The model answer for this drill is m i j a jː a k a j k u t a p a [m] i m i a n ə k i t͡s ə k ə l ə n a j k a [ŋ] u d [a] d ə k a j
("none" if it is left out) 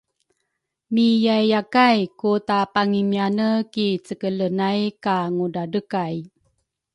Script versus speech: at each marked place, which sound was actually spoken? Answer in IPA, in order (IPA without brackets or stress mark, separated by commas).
ŋ, ŋ, a